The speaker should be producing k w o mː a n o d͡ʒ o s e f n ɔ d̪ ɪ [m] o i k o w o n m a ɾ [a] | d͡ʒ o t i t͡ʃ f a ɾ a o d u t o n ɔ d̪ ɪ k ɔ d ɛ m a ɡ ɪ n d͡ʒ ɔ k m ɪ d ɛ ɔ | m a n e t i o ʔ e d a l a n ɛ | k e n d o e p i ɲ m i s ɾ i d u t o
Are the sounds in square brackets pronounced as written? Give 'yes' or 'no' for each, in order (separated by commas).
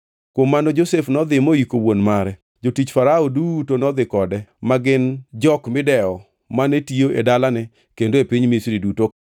yes, no